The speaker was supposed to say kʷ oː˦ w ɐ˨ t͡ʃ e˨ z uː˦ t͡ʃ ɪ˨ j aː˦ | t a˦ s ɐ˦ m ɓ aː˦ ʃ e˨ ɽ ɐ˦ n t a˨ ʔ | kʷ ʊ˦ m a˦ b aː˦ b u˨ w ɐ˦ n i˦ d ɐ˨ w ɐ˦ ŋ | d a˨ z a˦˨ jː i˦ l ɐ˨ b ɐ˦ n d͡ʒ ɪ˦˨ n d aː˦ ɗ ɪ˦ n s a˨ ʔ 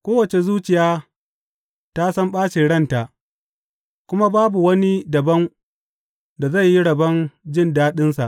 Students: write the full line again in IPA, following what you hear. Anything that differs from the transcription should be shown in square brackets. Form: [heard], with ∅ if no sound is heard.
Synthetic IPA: kʷ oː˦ w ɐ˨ t͡ʃ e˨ z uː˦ t͡ʃ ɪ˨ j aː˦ | t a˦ s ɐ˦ m ɓ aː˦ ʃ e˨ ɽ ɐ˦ n t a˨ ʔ | kʷ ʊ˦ m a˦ b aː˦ b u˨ w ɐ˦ n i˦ d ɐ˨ [b] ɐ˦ ŋ | d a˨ z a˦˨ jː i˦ [ɽ] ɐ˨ b ɐ˦ n d͡ʒ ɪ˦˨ n d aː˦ ɗ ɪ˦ n s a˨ ʔ